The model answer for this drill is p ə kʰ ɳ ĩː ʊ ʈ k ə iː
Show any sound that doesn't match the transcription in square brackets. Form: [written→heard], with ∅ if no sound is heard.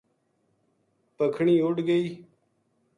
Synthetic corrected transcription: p ə kʰ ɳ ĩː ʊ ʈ [k→ɡ] ə iː